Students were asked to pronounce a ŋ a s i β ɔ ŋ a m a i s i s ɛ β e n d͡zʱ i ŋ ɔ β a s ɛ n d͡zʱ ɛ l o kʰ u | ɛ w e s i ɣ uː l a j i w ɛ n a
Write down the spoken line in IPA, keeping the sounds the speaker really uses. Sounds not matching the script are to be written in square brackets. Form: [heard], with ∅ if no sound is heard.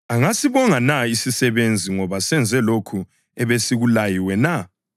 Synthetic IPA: a ŋ a s i β ɔ ŋ a [n] a i s i s ɛ β e n d͡zʱ i ŋ ɔ β a s ɛ n d͡zʱ ɛ l o kʰ u | ɛ [β] e s i ɣ [u] l a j i w ɛ n a